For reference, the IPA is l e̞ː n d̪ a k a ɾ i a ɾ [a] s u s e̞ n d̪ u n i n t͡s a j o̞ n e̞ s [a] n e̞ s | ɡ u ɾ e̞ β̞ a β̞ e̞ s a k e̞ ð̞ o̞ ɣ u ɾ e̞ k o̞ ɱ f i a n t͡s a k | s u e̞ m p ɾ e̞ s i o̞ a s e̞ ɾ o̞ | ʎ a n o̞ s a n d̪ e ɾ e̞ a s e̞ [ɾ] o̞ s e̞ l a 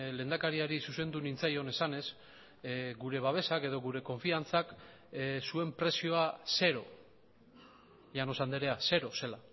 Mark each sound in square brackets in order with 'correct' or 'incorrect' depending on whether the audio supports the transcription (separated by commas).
incorrect, correct, correct